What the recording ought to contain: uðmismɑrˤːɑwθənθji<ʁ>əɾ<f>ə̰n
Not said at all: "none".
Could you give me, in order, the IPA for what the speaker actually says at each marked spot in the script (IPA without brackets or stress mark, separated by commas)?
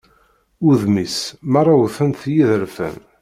ð, f